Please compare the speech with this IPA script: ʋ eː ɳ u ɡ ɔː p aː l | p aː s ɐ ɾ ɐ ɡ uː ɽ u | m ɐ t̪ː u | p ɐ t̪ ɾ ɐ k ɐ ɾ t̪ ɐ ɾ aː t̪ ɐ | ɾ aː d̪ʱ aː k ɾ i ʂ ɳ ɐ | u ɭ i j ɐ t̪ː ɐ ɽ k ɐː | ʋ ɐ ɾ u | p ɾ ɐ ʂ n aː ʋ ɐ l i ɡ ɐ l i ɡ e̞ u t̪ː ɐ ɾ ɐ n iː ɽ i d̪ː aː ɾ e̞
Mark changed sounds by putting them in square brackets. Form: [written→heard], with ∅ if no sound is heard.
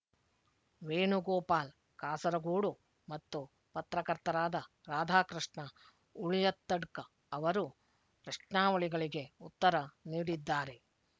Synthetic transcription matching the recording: ʋ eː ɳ u ɡ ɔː p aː l | [p→k] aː s ɐ ɾ ɐ ɡ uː ɽ u | m ɐ t̪ː u | p ɐ t̪ ɾ ɐ k ɐ ɾ t̪ ɐ ɾ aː [t̪→d̪] ɐ | ɾ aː d̪ʱ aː k ɾ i ʂ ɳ ɐ | u ɭ i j ɐ t̪ː ɐ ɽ k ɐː | ʋ ɐ ɾ u | p ɾ ɐ ʂ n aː ʋ ɐ [l→ɭ] i ɡ ɐ [l→ɭ] i ɡ e̞ u t̪ː ɐ ɾ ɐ n iː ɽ i d̪ː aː ɾ e̞

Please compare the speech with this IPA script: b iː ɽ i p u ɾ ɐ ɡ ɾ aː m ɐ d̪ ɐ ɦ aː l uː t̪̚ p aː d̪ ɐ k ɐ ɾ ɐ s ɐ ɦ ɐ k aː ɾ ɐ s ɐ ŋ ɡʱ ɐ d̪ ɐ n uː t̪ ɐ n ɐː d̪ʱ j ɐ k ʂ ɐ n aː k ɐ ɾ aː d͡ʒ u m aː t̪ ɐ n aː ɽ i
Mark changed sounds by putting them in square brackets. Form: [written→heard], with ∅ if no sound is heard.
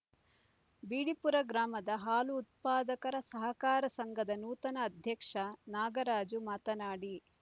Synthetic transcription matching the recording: b iː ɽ i p u ɾ ɐ ɡ ɾ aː m ɐ d̪ ɐ ɦ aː l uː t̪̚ p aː d̪ ɐ k ɐ ɾ ɐ s ɐ ɦ ɐ k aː ɾ ɐ s ɐ ŋ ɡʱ ɐ d̪ ɐ n uː t̪ ɐ n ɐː d̪ʱ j ɐ k ʂ ɐ n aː [k→ɡ] ɐ ɾ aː d͡ʒ u m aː t̪ ɐ n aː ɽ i

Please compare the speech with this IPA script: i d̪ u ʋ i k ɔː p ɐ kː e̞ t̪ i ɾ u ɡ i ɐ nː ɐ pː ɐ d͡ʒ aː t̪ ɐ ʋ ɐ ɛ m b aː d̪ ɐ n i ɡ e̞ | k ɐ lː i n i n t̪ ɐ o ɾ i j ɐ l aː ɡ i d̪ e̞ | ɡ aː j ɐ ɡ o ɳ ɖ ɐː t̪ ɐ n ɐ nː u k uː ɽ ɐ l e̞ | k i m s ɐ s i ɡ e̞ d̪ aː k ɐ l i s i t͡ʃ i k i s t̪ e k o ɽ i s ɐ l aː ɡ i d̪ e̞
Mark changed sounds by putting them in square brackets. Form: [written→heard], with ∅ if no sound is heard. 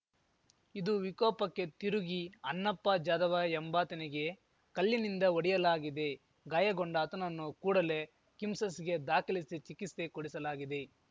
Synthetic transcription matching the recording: i d̪ u ʋ i k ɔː p ɐ kː e̞ t̪ i ɾ u ɡ i ɐ nː ɐ pː ɐ d͡ʒ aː [t̪→d̪] ɐ ʋ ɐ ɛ m b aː [d̪→t̪] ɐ n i ɡ e̞ | k ɐ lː i n i n [t̪→d̪] ɐ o [ɾ→ɽ] i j ɐ l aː ɡ i d̪ e̞ | ɡ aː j ɐ ɡ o ɳ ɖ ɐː t̪ ɐ n ɐ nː u k uː ɽ ɐ l e̞ | k i m s ɐ s i ɡ e̞ d̪ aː k ɐ l i s i t͡ʃ i k i s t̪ e k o ɽ i s ɐ l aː ɡ i d̪ e̞

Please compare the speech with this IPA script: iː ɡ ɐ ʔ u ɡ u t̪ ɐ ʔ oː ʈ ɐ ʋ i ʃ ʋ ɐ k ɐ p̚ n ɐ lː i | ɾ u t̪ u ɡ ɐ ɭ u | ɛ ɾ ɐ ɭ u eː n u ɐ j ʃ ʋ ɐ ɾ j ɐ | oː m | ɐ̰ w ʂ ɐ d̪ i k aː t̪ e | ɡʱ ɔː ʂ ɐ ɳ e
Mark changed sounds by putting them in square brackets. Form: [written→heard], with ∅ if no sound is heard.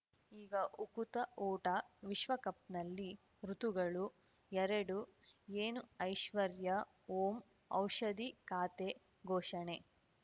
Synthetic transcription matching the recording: iː ɡ ɐ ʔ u [ɡ→k] u t̪ ɐ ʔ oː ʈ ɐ ʋ i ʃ ʋ ɐ k ɐ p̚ n ɐ lː i | ɾ u t̪ u ɡ ɐ ɭ u | ɛ ɾ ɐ [ɭ→ɽ] u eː n u ɐ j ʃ ʋ ɐ ɾ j ɐ | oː m | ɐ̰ w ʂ ɐ d̪ i k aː t̪ e | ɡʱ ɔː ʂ ɐ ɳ e

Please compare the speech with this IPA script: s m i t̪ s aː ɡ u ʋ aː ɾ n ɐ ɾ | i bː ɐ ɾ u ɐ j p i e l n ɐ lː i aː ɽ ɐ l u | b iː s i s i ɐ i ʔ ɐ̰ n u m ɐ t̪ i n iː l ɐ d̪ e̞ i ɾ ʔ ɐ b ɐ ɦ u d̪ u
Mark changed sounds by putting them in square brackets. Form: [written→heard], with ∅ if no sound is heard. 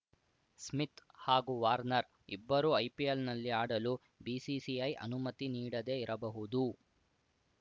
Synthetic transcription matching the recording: s m i t̪ [s→h] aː ɡ u ʋ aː ɾ n ɐ ɾ | i bː ɐ ɾ u ɐ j p i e l n ɐ lː i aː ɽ ɐ l u | b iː s i s i ɐ [i→j] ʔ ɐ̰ n u m ɐ t̪ i n iː [l→ɽ] ɐ d̪ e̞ i ɾ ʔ ɐ b ɐ ɦ u d̪ u

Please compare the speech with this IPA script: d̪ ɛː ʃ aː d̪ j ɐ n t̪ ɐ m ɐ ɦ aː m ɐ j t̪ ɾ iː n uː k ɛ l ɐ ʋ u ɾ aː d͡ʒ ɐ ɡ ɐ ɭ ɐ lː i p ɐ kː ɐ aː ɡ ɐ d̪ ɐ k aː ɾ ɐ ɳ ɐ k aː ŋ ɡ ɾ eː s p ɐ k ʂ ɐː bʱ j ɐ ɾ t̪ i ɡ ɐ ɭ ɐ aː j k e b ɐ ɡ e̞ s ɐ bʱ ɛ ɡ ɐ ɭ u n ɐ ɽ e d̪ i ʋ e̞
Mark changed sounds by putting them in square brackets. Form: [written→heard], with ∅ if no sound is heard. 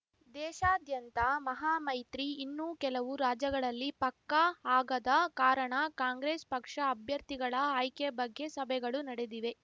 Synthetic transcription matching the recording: d̪ ɛː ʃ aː d̪ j ɐ n t̪ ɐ m ɐ ɦ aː m ɐ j t̪ ɾ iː [n→nː] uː k ɛ l ɐ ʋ u ɾ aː d͡ʒ ɐ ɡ ɐ ɭ ɐ lː i p ɐ kː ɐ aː ɡ ɐ d̪ ɐ k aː ɾ ɐ ɳ ɐ k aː ŋ ɡ ɾ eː s p ɐ k ʂ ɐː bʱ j ɐ ɾ t̪ i ɡ ɐ ɭ ɐ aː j k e b ɐ [ɡ→ɡː] e̞ s ɐ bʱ ɛ ɡ ɐ ɭ u n ɐ ɽ e d̪ i ʋ e̞

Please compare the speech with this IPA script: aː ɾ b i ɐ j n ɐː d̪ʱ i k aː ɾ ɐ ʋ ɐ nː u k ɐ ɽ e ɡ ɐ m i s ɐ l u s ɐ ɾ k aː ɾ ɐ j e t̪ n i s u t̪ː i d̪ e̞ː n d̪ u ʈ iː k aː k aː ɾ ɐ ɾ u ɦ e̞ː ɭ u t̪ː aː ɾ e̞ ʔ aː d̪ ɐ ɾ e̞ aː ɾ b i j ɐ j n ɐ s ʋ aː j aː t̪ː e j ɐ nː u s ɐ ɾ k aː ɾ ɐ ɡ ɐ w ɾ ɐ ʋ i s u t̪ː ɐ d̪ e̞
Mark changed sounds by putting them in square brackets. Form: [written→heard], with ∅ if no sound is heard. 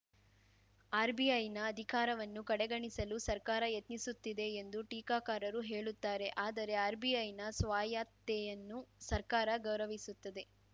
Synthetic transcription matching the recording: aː ɾ b i ɐ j n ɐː d̪ʱ i k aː ɾ ɐ ʋ ɐ nː u k ɐ ɽ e ɡ ɐ [m→ɳ] i s ɐ l u s ɐ ɾ k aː ɾ ɐ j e t̪ n i s u t̪ː i d̪ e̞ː n d̪ u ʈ iː k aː k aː ɾ ɐ ɾ u ɦ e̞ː ɭ u t̪ː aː ɾ e̞ ʔ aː d̪ ɐ ɾ e̞ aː ɾ b i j ɐ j n ɐ s ʋ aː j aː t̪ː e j ɐ nː u s ɐ ɾ k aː ɾ ɐ ɡ ɐ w ɾ ɐ ʋ i s u t̪ː ɐ d̪ e̞

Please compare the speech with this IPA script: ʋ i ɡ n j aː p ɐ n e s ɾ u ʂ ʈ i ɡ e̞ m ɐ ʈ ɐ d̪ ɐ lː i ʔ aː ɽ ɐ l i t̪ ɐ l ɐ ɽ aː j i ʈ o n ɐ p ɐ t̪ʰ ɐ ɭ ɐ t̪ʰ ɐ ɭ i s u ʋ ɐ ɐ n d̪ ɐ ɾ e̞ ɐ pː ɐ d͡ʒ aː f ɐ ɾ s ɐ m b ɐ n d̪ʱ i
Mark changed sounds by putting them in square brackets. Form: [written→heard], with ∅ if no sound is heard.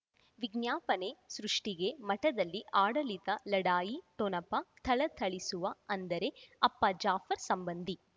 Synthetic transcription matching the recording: ʋ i ɡ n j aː p ɐ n e s ɾ u ʂ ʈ i ɡ e̞ m ɐ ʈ ɐ d̪ ɐ lː i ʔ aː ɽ ɐ l i t̪ ɐ l ɐ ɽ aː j i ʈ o n ɐ p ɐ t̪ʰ ɐ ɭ ɐ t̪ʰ ɐ ɭ i s u ʋ ɐ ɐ n d̪ ɐ ɾ e̞ ɐ pː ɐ d͡ʒ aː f ɐ ɾ s ɐ m b ɐ n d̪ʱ i

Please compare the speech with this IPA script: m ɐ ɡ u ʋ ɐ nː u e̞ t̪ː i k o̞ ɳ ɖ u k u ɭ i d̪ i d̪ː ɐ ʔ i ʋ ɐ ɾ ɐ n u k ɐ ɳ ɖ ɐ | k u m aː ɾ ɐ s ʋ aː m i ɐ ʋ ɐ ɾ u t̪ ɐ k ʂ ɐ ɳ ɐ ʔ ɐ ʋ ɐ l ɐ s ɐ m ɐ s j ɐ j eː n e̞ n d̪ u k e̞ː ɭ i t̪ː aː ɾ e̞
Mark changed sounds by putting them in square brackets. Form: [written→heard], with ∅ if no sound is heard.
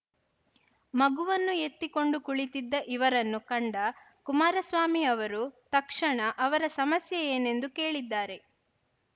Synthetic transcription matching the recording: m ɐ ɡ u ʋ ɐ nː u e̞ t̪ː i k o̞ ɳ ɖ u k u ɭ i [d̪→t̪] i d̪ː ɐ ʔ i ʋ ɐ ɾ ɐ [n→nː] u k ɐ ɳ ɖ ɐ | k u m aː ɾ ɐ s ʋ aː m i ɐ ʋ ɐ ɾ u t̪ ɐ k ʂ ɐ ɳ ɐ ʔ ɐ ʋ ɐ [l→ɾ] ɐ s ɐ m ɐ s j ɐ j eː n e̞ n d̪ u k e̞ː ɭ i [t̪ː→d̪ː] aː ɾ e̞

